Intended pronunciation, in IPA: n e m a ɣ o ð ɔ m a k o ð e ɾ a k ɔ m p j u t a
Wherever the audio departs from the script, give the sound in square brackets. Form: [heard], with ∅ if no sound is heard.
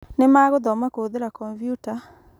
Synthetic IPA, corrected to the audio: n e m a ɣ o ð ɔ m a k o ð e ɾ a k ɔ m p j u t a